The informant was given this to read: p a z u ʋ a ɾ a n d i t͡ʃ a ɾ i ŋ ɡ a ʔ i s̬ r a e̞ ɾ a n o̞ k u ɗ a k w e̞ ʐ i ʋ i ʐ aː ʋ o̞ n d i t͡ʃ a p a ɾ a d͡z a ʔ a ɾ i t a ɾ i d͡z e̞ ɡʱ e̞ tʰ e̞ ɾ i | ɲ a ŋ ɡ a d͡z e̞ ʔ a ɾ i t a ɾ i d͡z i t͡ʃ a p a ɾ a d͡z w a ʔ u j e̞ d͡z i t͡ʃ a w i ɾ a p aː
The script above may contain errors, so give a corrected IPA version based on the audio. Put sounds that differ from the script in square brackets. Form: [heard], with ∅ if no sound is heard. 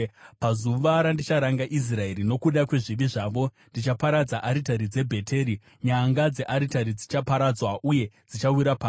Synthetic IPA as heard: p a z u ʋ a ɾ a n d i t͡ʃ a ɾ [a] ŋ ɡ a ʔ i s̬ r a e̞ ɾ [i] n o̞ k u ɗ a k w e̞ ʐ i ʋ i ʐ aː ʋ o̞ n d i t͡ʃ a p a ɾ a d͡z a ʔ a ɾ i t a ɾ i d͡z e̞ [bʱ] e̞ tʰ e̞ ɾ i | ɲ a ŋ ɡ a d͡z e̞ ʔ a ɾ i t a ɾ i d͡z i t͡ʃ a p a ɾ a d͡z w a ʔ u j e̞ d͡z i t͡ʃ a w i ɾ a p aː